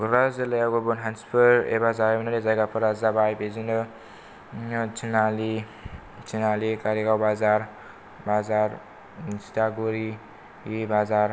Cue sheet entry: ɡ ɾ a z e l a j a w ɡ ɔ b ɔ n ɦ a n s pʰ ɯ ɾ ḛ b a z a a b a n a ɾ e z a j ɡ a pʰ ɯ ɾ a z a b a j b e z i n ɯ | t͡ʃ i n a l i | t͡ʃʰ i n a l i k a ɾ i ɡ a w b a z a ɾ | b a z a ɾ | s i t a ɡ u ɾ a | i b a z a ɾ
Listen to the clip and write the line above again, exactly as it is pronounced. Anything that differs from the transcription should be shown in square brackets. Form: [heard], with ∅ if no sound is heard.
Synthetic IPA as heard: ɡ ɾ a z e l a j a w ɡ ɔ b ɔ n ɦ a n s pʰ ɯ ɾ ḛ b a z a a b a n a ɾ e z a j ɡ a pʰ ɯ ɾ a z a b a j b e z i n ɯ | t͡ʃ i n a l i | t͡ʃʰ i n a l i k a ɾ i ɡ a w b a z a ɾ | b a z a ɾ | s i t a ɡ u ɾ [i] | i b a z a ɾ